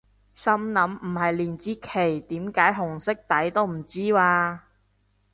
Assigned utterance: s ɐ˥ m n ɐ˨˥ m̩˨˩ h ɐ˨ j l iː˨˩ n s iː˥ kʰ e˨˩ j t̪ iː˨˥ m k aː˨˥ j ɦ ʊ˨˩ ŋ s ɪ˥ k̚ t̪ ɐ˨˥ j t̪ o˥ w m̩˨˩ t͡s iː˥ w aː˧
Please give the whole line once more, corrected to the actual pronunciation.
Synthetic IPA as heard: s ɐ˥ m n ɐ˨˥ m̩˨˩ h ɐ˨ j l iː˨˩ n t͡s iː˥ kʰ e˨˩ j t̪ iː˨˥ m k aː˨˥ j ɦ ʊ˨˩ ŋ s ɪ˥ k̚ t̪ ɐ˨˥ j t̪ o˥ w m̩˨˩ t͡s iː˥ w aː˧